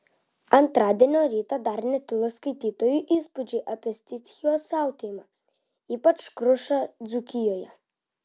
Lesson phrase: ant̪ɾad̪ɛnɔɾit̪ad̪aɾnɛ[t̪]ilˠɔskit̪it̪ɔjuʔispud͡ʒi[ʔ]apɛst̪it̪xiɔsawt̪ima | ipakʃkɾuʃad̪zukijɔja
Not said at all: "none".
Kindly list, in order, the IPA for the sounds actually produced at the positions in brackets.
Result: t̪, ʔ

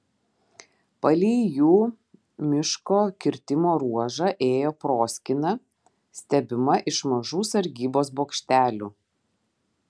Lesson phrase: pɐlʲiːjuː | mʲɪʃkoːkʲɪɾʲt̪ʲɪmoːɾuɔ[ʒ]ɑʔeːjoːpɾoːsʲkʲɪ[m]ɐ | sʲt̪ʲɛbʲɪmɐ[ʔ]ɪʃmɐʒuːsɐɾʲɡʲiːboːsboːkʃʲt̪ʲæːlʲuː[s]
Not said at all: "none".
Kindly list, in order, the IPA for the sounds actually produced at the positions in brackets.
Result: ʒ, n, ʔ, none

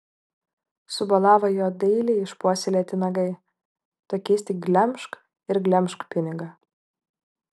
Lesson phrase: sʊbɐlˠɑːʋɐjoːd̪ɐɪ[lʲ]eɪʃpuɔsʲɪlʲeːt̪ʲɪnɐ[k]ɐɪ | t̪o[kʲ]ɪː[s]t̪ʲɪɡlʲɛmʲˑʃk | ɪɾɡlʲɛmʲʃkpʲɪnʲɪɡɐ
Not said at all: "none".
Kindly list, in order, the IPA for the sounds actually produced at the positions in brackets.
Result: lʲ, ɡ, kʲ, s

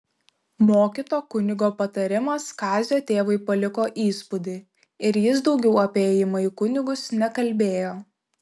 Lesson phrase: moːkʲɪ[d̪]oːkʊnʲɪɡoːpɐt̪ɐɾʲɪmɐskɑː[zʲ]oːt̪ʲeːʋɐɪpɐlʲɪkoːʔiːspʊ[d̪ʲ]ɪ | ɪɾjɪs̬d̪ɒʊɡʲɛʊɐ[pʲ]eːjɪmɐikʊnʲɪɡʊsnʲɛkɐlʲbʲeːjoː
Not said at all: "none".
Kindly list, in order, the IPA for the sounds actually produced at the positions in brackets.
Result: t̪, zʲ, d̪ʲ, pʲ

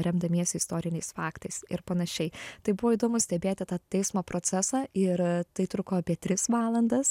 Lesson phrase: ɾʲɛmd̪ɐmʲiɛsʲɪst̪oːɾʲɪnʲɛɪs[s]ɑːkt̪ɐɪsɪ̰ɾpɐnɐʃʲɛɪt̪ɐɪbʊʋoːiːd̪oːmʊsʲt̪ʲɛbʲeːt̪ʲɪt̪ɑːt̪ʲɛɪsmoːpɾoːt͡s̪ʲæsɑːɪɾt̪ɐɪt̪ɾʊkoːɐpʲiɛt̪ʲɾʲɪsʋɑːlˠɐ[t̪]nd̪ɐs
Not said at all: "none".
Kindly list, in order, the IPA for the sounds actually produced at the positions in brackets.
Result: f, none

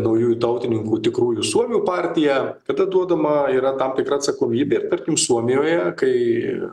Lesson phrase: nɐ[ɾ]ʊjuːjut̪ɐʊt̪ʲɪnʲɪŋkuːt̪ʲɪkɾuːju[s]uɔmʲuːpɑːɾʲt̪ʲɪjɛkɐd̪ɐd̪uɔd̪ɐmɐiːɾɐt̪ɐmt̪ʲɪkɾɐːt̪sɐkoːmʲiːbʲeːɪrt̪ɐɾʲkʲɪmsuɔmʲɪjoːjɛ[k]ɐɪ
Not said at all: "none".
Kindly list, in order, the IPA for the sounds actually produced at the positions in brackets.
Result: none, s, k

